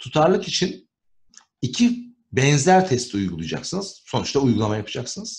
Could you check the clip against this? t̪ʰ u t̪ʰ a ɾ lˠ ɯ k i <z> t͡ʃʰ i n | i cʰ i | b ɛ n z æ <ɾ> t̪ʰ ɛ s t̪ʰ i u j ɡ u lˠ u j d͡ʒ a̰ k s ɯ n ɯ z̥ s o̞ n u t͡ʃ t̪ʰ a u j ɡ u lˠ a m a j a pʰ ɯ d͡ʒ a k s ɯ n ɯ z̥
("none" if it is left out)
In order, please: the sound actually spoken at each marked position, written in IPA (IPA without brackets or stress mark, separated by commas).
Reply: none, ɾ